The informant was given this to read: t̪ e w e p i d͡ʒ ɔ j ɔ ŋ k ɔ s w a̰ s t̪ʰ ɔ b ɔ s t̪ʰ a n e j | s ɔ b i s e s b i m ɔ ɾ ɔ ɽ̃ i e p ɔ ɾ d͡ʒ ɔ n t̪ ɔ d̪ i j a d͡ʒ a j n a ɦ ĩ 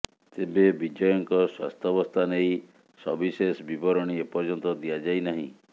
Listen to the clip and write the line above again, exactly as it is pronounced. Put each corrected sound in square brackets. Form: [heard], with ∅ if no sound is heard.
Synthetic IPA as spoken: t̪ e [b] e [b] i d͡ʒ ɔ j ɔ ŋ k ɔ s w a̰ s t̪ʰ ɔ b ɔ s t̪ʰ a n e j | s ɔ b i s e s b i [b] ɔ ɾ ɔ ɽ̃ i e p ɔ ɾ d͡ʒ ɔ n t̪ ɔ d̪ i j a d͡ʒ a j n a ɦ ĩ